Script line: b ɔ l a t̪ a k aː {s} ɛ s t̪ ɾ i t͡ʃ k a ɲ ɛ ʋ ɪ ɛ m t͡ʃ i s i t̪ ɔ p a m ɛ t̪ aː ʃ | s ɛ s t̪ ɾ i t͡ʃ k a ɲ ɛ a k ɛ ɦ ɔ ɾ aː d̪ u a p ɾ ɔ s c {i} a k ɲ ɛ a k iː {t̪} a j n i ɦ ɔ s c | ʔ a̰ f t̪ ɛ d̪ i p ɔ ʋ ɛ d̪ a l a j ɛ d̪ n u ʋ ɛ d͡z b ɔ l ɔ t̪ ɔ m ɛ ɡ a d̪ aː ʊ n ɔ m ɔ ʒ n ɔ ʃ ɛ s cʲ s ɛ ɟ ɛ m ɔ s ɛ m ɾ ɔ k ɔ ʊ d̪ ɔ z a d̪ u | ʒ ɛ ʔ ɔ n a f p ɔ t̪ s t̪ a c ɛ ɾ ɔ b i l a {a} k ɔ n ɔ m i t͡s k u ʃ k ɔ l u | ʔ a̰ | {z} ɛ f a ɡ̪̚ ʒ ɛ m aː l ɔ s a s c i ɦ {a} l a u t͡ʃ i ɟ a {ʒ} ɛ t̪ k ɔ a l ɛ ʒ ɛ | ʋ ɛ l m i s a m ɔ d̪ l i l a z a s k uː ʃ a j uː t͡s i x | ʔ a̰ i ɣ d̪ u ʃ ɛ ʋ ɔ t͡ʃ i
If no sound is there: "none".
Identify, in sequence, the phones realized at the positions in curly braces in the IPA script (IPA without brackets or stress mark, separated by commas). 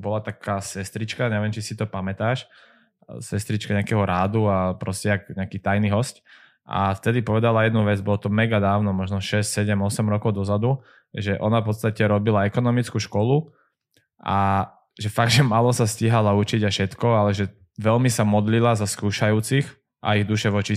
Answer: s, ɛ, t̪, ɛ, ʒ, a, ʃ